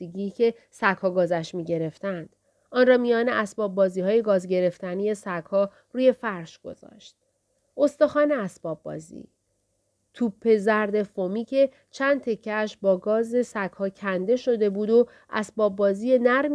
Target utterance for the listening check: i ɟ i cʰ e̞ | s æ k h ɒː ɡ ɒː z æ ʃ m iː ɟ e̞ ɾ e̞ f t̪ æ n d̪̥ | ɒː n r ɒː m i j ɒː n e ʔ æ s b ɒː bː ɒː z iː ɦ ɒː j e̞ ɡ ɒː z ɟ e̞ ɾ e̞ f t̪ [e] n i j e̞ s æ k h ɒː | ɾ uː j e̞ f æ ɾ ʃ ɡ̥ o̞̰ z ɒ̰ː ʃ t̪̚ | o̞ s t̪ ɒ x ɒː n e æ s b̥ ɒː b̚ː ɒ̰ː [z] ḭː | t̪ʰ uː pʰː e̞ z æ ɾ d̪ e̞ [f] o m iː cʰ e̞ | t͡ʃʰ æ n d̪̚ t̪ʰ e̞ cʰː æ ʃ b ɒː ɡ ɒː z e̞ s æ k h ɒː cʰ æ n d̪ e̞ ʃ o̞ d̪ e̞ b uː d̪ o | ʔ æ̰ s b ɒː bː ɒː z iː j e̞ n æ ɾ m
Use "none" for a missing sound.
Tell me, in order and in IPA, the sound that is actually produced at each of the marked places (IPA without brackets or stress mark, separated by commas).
æ, z, f